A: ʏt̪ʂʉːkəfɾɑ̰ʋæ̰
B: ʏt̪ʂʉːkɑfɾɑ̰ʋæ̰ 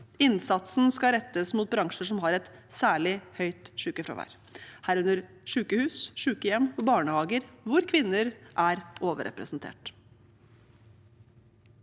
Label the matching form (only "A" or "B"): A